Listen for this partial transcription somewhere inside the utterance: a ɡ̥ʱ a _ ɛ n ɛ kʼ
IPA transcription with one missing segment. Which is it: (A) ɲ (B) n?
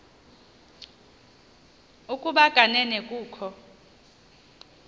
B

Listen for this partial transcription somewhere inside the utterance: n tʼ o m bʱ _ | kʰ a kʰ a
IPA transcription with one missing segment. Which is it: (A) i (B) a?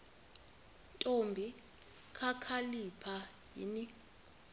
A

